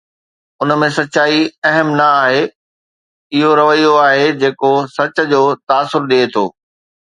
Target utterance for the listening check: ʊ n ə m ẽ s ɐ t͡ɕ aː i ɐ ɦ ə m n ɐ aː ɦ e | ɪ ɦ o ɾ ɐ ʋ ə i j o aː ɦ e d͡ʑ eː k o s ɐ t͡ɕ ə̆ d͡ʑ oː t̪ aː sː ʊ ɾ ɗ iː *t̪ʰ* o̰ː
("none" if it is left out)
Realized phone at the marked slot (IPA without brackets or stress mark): t̪ʰ